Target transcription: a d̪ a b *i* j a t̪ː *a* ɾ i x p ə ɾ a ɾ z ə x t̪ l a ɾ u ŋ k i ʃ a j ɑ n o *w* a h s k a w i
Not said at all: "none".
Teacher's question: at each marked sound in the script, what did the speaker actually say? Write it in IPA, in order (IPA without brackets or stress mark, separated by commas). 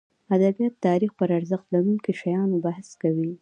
i, ɑ, b